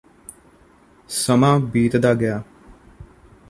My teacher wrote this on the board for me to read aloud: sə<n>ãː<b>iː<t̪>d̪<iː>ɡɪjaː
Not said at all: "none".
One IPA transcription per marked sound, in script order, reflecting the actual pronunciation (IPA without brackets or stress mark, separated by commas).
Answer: m, b, t̪, aː